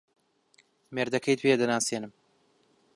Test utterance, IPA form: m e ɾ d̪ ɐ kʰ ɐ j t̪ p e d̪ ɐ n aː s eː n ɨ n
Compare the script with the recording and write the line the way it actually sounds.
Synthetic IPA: m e ɾ d̪ ɐ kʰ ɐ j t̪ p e d̪ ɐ n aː s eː n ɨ m

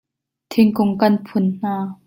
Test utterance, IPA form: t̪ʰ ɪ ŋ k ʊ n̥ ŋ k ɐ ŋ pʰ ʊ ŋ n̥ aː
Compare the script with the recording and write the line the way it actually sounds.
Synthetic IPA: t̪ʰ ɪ ŋ k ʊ ŋ k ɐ n pʰ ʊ n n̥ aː

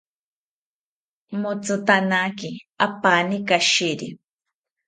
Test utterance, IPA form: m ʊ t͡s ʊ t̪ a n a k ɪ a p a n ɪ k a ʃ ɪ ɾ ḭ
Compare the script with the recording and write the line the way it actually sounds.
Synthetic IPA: m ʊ t͡s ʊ t̪ a n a k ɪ a p a n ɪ k a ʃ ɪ ɾ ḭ

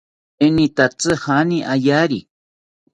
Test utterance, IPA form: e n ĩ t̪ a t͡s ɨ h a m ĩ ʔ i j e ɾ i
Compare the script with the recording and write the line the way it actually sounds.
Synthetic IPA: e n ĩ t̪ a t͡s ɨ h a n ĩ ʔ a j a ɾ i

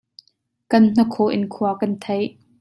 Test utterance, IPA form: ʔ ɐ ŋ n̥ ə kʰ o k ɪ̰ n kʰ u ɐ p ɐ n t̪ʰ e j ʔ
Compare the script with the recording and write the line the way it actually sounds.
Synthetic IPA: k ɐ n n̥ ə kʰ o ʔ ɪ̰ n kʰ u ɐ k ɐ n t̪ʰ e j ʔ

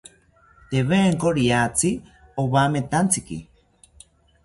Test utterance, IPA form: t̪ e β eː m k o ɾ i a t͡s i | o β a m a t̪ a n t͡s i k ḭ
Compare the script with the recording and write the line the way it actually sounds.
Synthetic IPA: t̪ e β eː ŋ k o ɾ i a t͡s i | o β a m e t̪ a n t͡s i k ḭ

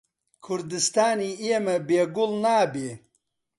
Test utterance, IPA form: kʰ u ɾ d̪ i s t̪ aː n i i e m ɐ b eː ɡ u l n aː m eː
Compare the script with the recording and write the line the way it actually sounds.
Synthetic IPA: kʰ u ɾ d̪ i s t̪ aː n i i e m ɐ b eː ɡ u l n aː b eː

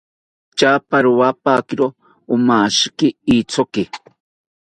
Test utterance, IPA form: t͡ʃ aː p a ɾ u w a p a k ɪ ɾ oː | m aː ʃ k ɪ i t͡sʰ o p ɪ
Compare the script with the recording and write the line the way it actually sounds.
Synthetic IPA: t͡ʃ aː p a ɾ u w a p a k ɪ ɾ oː | m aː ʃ k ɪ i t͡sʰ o k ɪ

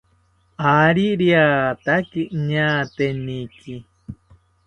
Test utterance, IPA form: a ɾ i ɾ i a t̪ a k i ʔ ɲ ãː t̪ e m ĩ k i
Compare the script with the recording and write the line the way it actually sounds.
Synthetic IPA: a ɾ i ɾ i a t̪ a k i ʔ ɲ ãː t̪ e n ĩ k i

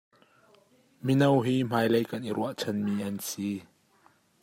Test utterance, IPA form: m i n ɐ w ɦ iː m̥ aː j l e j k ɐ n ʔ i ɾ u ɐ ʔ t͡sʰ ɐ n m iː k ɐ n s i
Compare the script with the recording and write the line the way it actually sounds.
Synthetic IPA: m i n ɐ w ɦ iː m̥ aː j l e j k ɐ n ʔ i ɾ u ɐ ʔ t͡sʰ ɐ n m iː ʔ ɐ n s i

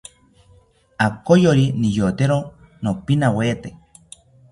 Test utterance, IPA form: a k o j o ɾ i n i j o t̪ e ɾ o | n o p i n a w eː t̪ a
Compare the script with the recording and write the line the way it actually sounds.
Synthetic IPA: a k o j o ɾ i n i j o t̪ e ɾ o | n o p i n a w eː t̪ e

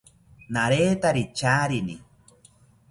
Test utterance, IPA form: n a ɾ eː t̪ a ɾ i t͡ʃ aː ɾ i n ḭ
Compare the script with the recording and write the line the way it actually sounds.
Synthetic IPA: n a ɾ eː t̪ a ɾ i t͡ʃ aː ɾ i n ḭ

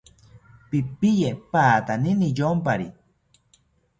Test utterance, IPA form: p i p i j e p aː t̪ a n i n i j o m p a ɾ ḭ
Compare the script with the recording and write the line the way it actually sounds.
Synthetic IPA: p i p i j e p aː t̪ a n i n i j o m p a ɾ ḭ

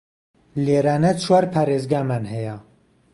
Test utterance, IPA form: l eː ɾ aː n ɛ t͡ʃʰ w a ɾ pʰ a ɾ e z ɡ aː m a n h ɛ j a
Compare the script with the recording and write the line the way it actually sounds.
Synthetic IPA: l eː ɾ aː n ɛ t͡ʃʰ w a ɾ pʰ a ɾ e z ɡ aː m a n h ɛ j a

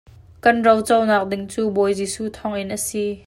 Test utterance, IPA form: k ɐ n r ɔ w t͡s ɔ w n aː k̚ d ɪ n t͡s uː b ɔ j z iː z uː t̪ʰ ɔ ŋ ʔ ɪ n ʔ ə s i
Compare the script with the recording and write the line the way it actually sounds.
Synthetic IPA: k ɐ n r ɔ w t͡s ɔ w n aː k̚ d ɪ ŋ t͡s uː b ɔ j z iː s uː t̪ʰ ɔ ŋ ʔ ɪ n ʔ ə s i

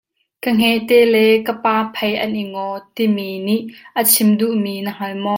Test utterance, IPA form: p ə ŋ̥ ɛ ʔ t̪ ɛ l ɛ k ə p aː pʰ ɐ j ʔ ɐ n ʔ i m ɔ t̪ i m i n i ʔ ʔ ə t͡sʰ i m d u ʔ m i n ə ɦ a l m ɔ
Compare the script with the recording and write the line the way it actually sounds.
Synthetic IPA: k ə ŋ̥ ɛ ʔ t̪ ɛ l ɛ k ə p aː pʰ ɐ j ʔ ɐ n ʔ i ŋ ɔ t̪ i m i n i ʔ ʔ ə t͡sʰ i m d u ʔ m i n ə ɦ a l m ɔ

